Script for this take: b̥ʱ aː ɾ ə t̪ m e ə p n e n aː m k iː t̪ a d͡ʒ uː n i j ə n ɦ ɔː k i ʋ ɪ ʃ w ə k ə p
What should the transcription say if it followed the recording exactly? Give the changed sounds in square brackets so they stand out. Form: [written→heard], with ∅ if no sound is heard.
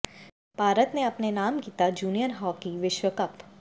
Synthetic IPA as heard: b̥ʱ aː ɾ ə t̪ [m→n] e [ə→ɐ] p n e n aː m k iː t̪ a d͡ʒ uː n i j ə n ɦ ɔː k i ʋ ɪ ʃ w ə k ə p